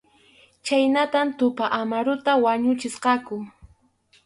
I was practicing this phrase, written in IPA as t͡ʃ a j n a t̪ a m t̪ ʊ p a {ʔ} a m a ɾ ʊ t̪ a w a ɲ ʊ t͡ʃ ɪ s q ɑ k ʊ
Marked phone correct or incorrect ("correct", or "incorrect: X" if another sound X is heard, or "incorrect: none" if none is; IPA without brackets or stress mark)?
correct